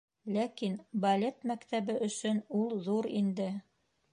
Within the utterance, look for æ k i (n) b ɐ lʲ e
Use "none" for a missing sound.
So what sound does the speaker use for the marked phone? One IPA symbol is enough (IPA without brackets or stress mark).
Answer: n